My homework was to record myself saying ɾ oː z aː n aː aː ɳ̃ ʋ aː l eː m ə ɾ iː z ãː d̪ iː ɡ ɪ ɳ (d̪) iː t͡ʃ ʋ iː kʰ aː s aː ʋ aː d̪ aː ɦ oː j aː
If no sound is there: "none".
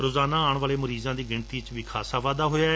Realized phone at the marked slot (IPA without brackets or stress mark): t̪